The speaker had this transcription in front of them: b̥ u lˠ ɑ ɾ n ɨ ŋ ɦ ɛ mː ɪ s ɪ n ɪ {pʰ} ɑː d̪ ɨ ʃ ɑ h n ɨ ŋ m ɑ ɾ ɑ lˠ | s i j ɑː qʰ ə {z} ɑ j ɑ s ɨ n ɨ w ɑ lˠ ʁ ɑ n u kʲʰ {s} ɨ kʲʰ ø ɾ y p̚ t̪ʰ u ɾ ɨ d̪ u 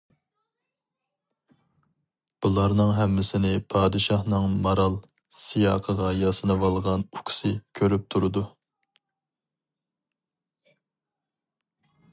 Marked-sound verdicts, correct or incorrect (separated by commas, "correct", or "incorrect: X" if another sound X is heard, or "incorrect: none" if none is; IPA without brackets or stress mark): correct, incorrect: ʁ, correct